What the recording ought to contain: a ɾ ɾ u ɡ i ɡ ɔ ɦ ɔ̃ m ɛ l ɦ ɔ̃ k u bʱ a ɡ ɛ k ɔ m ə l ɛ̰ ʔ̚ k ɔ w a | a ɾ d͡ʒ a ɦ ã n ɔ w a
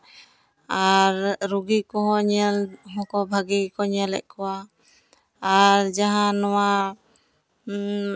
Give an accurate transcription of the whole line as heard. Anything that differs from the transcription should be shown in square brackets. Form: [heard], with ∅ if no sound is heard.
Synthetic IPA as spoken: a ɾ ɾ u ɡ i [k] ɔ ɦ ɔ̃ [ɲ] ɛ l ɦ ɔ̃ k [ɔ] bʱ a ɡ [i] k ɔ [ɲ] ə l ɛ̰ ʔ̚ k ɔ w a | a ɾ d͡ʒ a ɦ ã n ɔ w a

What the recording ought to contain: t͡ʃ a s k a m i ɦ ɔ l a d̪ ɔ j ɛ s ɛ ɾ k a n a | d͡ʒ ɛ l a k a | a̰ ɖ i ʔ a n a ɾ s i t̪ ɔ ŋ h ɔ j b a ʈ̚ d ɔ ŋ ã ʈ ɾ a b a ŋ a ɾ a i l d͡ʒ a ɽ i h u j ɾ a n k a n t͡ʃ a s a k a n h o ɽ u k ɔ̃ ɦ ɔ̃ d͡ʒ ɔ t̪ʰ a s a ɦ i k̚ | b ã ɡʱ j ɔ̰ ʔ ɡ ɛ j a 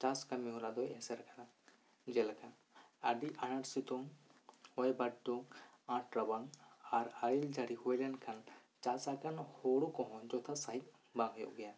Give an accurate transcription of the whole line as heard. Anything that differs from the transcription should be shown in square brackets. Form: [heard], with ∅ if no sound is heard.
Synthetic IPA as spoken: t͡ʃ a s k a m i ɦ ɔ l a d̪ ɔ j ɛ s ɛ ɾ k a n a | d͡ʒ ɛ l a k a | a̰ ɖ i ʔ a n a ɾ s i t̪ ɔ ŋ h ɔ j b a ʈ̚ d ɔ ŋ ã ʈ ɾ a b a ŋ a ɾ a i l d͡ʒ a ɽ i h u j [l] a n [kʰ] a n t͡ʃ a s a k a n h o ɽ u k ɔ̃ ɦ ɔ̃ d͡ʒ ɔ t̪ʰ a s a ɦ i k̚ | b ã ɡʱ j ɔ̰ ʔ ɡ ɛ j a

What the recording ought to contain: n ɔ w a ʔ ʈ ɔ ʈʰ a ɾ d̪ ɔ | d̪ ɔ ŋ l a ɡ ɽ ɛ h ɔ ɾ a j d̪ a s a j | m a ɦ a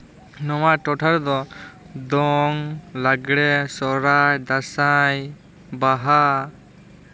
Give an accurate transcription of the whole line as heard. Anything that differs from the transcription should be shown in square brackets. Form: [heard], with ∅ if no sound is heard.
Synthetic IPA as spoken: n ɔ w a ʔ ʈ ɔ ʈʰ a ɾ d̪ ɔ | d̪ ɔ ŋ l a ɡ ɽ ɛ [s] ɔ ɾ a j d̪ a s a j | [b] a ɦ a

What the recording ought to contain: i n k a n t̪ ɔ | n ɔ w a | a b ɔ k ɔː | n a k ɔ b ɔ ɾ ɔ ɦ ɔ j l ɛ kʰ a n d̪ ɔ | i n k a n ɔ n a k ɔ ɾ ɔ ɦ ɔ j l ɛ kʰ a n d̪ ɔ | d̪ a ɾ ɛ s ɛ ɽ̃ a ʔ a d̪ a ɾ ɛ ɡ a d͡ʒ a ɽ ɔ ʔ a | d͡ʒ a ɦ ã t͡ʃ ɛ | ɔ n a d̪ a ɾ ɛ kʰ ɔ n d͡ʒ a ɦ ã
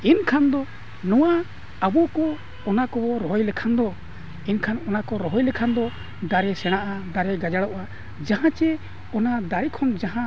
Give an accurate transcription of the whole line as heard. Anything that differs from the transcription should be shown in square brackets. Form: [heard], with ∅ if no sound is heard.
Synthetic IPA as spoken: i n [kʰ] a n [d̪] ɔ | n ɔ w a | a b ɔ k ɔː | n a k ɔ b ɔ ɾ ɔ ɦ ɔ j l ɛ kʰ a n d̪ ɔ | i n [kʰ] a n ɔ n a k ɔ ɾ ɔ ɦ ɔ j l ɛ kʰ a n d̪ ɔ | d̪ a ɾ ɛ s ɛ ɽ̃ a ʔ a d̪ a ɾ ɛ ɡ a d͡ʒ a ɽ ɔ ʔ a | d͡ʒ a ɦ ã t͡ʃ ɛ | ɔ n a d̪ a ɾ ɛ kʰ ɔ n d͡ʒ a ɦ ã

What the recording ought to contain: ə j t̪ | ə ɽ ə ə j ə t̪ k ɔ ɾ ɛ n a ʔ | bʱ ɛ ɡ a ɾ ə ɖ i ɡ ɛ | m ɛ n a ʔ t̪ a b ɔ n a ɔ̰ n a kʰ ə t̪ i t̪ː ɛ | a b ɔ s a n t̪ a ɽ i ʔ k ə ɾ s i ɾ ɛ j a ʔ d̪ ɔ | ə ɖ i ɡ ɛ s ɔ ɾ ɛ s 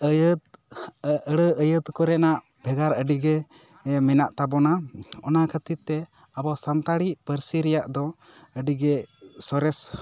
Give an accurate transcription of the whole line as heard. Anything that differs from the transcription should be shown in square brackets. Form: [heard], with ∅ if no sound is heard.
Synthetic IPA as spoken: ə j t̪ | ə ɽ ə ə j ə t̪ k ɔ ɾ ɛ n a ʔ | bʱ ɛ ɡ a ɾ ə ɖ i ɡ ɛ | m ɛ n a ʔ t̪ a b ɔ n a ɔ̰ n a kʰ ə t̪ i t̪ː ɛ | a b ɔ s a n t̪ a ɽ i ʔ [p] ə ɾ s i ɾ ɛ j a ʔ d̪ ɔ | ə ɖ i ɡ ɛ s ɔ ɾ ɛ s

